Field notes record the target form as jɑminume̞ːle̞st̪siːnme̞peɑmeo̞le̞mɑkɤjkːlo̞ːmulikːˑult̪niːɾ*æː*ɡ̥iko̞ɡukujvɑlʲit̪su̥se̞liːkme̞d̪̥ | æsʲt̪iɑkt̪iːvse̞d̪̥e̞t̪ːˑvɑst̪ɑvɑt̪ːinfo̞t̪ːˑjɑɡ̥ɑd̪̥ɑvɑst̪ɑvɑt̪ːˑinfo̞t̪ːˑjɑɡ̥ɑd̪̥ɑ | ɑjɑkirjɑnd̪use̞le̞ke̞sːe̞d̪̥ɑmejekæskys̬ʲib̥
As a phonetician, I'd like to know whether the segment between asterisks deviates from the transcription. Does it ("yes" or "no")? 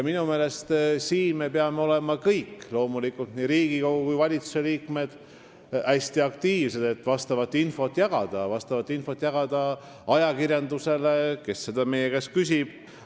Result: yes